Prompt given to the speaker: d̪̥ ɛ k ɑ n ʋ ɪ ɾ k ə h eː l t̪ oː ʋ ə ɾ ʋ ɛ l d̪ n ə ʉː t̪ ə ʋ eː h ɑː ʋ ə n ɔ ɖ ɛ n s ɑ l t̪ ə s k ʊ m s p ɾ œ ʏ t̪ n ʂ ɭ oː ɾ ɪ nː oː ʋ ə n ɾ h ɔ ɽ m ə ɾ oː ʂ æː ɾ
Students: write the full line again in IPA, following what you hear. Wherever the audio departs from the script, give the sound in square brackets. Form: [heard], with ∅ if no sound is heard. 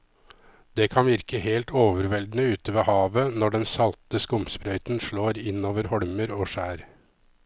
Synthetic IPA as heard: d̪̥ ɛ [kʰ] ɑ n ʋ ɪ ɾ k ə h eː l t̪ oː ʋ ə ɾ ʋ ɛ l d̪ n ə ʉː t̪ ə ʋ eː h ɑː ʋ ə n ɔ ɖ ɛ n s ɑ l t̪ ə s k ʊ m s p ɾ œ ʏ t̪ n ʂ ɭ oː ɾ ɪ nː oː ʋ ə [∅] ɾ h ɔ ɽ m ə ɾ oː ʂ æː ɾ